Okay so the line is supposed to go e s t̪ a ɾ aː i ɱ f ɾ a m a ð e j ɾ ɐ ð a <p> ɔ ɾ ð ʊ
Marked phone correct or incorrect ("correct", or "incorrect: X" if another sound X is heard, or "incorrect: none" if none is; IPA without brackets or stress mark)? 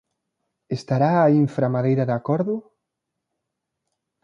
incorrect: k